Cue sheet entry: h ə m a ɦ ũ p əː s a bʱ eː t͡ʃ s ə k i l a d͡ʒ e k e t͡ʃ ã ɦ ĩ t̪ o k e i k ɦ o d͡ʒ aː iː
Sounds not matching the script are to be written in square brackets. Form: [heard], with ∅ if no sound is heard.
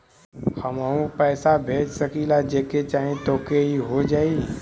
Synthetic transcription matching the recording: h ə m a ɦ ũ p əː s a bʱ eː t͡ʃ s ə k i l a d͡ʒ e k e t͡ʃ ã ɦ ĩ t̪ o k e i [∅] ɦ o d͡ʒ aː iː

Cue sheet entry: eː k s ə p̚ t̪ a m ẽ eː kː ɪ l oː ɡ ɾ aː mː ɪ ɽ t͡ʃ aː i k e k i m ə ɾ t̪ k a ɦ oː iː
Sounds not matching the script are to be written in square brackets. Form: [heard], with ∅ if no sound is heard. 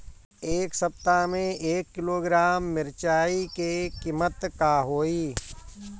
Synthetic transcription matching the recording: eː k s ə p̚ t̪ a m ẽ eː kː ɪ l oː ɡ ɾ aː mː ɪ [ɾ] t͡ʃ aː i k e k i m ə [∅] t̪ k a ɦ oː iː

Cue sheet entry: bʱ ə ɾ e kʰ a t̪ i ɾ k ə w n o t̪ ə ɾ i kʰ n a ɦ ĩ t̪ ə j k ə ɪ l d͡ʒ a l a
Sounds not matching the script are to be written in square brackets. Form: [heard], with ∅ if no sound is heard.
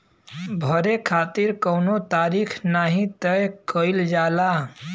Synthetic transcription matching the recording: bʱ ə ɾ e kʰ a t̪ i ɾ k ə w n o t̪ [a] ɾ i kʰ n a ɦ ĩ t̪ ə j k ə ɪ l d͡ʒ a l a

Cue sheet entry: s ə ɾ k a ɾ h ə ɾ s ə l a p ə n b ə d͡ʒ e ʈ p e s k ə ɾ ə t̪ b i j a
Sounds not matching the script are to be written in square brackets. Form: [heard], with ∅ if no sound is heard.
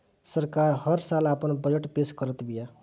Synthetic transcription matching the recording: s ə ɾ k a ɾ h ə ɾ s [a] l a p ə n b ə d͡ʒ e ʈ p e s k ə ɾ ə t̪ b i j a

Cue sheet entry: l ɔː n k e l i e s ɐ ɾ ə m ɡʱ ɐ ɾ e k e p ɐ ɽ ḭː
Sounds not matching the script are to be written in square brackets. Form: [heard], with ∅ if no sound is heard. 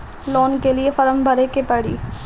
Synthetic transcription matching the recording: l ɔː n k e l i e [f] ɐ ɾ ə m [bʱ] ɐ ɾ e k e p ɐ ɽ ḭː

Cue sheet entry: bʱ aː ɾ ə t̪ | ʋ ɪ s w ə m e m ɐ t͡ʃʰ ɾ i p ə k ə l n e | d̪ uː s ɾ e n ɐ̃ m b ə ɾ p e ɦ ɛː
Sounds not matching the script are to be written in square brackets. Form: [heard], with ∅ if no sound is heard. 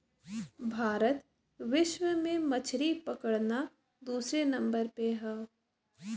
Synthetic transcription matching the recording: bʱ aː ɾ ə t̪ | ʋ ɪ [ʃ] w ə m [ẽ] m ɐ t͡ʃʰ ɾ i p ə k ə [ɽ] n [a] | d̪ uː s ɾ e n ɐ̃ m b ə ɾ p e ɦ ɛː

